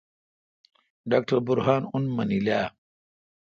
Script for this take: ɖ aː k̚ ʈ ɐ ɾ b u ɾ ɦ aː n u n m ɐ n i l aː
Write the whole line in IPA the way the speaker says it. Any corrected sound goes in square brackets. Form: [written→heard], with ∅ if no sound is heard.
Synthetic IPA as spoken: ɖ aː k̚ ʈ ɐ ɾ b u ɾ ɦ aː n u n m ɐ n i l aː

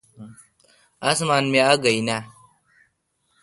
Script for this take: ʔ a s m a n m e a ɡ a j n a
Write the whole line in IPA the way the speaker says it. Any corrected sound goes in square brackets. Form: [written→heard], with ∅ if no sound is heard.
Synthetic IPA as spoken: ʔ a s m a n m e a ɡ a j n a

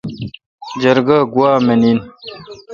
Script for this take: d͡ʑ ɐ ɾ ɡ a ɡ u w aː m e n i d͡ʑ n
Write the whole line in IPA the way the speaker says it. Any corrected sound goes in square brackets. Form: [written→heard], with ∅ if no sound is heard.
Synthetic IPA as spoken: d͡ʑ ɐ ɾ ɡ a ɡ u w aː m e n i [d͡ʑ→∅] n

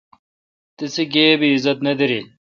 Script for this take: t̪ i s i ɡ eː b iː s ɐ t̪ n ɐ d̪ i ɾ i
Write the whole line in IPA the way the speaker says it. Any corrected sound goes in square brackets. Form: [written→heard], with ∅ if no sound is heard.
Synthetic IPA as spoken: t̪ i s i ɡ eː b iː [s→z] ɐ t̪ n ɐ d̪ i ɾ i

